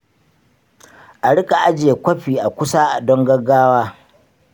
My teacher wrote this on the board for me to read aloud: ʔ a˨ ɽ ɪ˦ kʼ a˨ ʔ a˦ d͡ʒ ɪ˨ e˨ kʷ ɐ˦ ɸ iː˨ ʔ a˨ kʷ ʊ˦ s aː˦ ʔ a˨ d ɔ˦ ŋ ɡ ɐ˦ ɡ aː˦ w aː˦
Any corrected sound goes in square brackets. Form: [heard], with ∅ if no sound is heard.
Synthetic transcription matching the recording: ʔ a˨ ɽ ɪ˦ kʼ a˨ ʔ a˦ d͡ʒ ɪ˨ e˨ kʷ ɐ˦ ɸ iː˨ ʔ a˨ kʷ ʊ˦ s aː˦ ʔ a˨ d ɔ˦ ŋ ɡ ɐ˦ ɡ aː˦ w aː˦

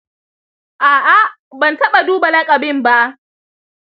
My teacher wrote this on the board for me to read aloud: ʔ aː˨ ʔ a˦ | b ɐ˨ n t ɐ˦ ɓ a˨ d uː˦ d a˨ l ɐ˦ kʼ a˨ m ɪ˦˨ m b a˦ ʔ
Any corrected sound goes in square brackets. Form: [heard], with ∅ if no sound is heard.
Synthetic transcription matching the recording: ʔ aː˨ ʔ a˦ | b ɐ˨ n t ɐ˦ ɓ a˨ d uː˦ [b] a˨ l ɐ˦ kʼ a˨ [b] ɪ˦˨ m b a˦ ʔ

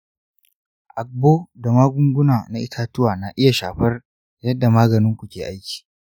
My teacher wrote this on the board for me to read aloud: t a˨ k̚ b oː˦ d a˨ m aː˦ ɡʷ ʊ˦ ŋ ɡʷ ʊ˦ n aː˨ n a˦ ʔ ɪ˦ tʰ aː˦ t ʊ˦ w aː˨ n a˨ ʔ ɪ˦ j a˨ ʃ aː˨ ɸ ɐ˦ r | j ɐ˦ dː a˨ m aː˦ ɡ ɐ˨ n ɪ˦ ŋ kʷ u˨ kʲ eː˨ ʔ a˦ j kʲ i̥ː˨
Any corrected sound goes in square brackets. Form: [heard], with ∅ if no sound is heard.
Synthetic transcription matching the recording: [ʔ] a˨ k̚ b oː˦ d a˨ m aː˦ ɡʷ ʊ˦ ŋ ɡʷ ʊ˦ n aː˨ n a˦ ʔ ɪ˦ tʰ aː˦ t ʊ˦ w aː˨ n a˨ ʔ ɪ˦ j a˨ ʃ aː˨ ɸ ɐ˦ r | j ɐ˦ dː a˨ m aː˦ ɡ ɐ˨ n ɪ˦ ŋ kʷ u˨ kʲ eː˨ ʔ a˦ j kʲ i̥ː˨

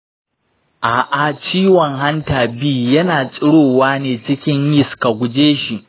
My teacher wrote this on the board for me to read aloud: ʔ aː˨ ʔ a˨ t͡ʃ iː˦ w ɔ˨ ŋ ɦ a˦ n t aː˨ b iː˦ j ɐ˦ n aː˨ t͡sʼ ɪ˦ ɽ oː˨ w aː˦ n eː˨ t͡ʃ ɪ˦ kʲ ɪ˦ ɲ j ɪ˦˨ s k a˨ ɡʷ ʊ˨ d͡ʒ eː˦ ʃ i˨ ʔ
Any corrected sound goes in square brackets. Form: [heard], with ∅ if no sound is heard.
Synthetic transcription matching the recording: ʔ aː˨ ʔ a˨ t͡ʃ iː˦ w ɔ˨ ŋ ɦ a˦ n t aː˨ b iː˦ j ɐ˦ n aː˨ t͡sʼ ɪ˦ ɽ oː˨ w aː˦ n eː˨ t͡ʃ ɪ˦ kʲ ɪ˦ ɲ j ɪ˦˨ s k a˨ ɡʷ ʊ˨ d͡ʒ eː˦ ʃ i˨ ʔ

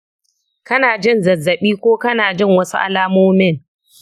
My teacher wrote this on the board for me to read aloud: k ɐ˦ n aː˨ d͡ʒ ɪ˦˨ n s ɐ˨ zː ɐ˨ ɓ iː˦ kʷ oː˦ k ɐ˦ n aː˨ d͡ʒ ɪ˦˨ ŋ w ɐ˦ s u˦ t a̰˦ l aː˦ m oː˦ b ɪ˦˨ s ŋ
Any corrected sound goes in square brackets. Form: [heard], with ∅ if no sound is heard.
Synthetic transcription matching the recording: k ɐ˦ n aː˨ d͡ʒ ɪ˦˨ n [z] ɐ˨ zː ɐ˨ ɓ iː˦ kʷ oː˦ k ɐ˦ n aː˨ d͡ʒ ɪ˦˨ ŋ w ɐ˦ s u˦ [ʔ] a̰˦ l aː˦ m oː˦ [m] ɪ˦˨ [∅] ŋ

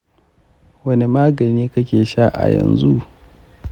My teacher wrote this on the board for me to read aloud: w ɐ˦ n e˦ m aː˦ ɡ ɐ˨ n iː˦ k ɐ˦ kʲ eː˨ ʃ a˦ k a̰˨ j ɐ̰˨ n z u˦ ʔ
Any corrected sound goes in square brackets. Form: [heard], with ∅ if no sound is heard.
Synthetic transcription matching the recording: w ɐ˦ n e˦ m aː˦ ɡ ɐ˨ n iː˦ k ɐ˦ kʲ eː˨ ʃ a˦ [ʔ] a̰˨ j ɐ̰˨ n z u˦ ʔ

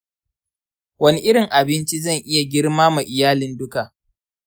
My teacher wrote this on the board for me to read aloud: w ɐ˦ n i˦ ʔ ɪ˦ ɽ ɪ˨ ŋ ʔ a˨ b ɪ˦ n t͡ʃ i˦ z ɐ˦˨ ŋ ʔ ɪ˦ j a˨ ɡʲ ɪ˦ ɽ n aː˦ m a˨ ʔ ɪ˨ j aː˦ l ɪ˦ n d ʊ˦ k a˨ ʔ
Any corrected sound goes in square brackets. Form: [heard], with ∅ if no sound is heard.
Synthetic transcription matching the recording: w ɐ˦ n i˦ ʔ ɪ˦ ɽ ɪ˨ ŋ ʔ a˨ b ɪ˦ n t͡ʃ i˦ z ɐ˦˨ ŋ ʔ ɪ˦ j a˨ ɡʲ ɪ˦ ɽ [m] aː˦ m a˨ ʔ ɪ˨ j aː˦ l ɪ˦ n d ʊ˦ k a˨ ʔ

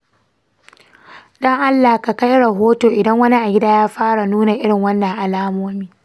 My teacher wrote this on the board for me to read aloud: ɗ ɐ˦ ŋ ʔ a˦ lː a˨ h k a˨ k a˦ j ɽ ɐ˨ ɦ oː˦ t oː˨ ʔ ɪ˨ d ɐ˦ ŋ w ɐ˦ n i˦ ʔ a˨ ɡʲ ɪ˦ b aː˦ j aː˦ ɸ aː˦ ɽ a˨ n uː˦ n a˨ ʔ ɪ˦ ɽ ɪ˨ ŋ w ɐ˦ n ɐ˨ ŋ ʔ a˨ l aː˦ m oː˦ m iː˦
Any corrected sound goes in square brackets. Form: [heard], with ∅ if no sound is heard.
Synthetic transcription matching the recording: ɗ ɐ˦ ŋ ʔ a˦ lː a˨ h k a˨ k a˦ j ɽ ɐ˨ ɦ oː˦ t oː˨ ʔ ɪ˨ d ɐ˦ ŋ w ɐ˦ n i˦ ʔ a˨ ɡʲ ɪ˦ [d] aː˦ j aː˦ ɸ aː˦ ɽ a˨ n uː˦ n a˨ ʔ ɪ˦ ɽ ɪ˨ ŋ w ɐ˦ [nː] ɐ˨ ŋ ʔ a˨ l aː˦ m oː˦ m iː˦

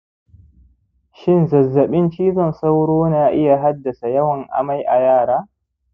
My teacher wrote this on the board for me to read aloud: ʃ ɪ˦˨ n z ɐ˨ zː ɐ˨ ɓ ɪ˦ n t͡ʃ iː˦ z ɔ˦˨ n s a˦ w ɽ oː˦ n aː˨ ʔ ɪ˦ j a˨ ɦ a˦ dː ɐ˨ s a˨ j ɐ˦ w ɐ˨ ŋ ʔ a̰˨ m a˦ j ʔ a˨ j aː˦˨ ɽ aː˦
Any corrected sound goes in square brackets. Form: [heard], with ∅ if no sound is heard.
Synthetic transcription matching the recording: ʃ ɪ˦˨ n z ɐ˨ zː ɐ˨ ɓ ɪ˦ n t͡ʃ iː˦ z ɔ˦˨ n s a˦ w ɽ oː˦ n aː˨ ʔ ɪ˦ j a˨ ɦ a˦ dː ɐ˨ s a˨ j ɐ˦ w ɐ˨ ŋ ʔ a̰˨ m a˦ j ʔ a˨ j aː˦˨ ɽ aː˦

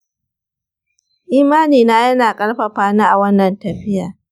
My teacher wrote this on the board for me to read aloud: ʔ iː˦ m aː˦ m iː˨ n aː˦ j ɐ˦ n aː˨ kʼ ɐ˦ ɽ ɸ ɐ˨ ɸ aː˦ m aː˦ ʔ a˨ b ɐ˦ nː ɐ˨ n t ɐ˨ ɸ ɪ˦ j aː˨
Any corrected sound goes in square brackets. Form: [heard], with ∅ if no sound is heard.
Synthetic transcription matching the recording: ʔ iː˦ m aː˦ [n] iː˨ n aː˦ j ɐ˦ n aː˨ kʼ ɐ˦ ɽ ɸ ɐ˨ ɸ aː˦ [n] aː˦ ʔ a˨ [w] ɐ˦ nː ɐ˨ n t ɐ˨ ɸ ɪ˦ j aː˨

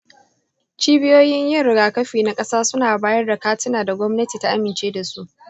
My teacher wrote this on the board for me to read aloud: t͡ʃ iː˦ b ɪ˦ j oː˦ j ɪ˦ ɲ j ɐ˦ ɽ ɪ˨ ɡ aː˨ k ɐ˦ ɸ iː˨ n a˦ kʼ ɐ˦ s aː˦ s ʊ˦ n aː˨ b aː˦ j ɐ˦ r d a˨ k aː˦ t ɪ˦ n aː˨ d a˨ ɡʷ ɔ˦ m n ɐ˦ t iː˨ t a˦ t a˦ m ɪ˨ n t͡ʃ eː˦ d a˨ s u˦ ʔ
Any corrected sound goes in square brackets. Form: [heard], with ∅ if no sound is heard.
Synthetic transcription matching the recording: t͡ʃ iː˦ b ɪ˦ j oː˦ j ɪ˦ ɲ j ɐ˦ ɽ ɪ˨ ɡ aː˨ k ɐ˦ ɸ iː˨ n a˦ kʼ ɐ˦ s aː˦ s ʊ˦ n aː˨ b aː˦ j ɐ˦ r d a˨ k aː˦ t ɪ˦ n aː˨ d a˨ ɡʷ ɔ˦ m n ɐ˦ t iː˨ t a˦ [ʔ] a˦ m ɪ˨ n t͡ʃ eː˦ d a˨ s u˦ ʔ

